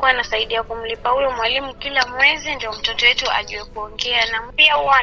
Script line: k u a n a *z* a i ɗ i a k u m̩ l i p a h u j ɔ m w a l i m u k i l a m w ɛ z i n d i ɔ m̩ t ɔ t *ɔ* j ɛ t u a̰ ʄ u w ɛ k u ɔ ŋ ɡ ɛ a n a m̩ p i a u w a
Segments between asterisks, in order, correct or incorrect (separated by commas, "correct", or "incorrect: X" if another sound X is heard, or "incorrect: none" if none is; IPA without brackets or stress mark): incorrect: s, correct